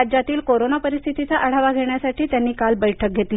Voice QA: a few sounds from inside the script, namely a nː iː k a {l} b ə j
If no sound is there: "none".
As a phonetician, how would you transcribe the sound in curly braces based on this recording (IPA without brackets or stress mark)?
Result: l